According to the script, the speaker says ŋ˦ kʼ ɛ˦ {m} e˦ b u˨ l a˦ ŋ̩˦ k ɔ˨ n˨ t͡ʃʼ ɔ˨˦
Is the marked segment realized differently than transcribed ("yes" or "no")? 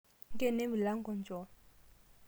yes